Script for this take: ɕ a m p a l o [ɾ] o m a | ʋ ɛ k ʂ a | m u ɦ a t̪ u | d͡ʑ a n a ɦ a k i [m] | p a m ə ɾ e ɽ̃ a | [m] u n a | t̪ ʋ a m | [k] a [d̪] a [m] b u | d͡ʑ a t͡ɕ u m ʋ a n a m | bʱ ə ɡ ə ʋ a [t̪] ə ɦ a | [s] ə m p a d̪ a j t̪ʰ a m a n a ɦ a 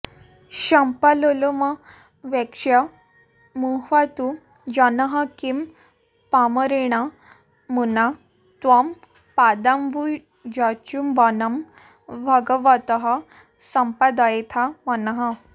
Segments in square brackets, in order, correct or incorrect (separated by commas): incorrect, correct, correct, incorrect, correct, correct, correct, correct